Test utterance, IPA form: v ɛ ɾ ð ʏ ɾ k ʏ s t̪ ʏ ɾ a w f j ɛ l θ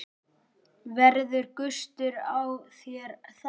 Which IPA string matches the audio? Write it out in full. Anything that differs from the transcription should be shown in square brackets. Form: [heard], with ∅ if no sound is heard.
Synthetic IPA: v ɛ ɾ ð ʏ ɾ k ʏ s t̪ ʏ ɾ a w [θ] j ɛ [ɾ] θ